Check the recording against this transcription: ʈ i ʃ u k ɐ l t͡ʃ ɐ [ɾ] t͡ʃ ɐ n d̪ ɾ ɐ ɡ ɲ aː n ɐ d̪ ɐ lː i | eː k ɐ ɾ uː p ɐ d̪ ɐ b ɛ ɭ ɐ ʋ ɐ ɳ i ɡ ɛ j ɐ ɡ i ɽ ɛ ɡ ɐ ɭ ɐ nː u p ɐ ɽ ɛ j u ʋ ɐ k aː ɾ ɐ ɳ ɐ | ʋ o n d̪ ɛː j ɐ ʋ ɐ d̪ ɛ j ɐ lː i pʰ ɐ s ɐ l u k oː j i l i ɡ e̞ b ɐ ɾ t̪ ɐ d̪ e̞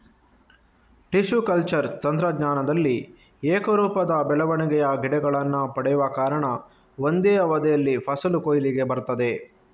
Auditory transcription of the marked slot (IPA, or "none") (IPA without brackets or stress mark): ɾ